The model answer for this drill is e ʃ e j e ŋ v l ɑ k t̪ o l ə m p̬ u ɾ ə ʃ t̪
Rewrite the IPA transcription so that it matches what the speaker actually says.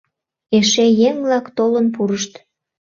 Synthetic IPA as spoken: e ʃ e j e ŋ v l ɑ k t̪ o l ə n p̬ u ɾ ə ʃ t̪